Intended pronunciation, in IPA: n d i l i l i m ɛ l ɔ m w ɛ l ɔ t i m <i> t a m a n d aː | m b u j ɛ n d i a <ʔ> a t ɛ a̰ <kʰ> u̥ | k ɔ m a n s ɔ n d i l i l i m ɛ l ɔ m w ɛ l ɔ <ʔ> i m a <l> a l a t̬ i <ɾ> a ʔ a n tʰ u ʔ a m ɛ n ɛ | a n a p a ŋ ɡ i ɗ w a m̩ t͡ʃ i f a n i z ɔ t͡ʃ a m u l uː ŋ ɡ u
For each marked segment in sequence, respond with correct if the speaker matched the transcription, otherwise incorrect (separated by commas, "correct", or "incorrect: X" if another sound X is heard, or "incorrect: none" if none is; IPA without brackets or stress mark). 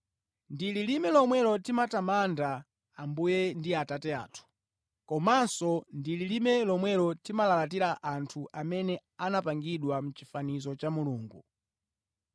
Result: incorrect: a, incorrect: t, incorrect: tʰ, incorrect: t, correct, correct